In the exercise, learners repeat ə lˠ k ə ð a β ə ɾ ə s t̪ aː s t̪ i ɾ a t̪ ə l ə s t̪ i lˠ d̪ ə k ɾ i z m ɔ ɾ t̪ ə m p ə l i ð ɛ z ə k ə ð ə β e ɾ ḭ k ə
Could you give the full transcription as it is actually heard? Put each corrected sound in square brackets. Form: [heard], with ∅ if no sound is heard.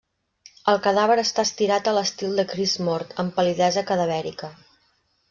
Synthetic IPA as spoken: ə lˠ k ə ð a β ə ɾ ə s t̪ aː s t̪ i ɾ a t̪ ə l ə s t̪ i lˠ d̪ ə k ɾ i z m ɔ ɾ t̪ ə m p ə l i ð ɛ z ə k ə ð ə β [ɛ] ɾ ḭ k ə